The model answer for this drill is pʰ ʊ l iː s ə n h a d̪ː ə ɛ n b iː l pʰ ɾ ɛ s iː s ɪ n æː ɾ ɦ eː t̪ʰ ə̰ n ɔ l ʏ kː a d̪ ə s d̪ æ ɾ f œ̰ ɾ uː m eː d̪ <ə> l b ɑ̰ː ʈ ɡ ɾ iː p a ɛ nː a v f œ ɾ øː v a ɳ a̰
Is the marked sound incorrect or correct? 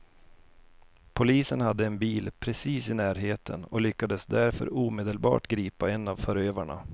correct